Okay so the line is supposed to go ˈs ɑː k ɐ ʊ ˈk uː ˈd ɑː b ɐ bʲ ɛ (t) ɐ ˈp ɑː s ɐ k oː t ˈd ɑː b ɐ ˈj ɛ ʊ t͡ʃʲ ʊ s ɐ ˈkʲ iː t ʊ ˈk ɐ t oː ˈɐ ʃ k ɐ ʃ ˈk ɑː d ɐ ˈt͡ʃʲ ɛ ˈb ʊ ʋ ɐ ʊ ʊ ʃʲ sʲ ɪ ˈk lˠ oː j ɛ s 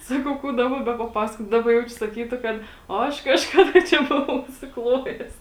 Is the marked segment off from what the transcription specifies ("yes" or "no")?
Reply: yes